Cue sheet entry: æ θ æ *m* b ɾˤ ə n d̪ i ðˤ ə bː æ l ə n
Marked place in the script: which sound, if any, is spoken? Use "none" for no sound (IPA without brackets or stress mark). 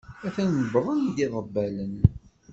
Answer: n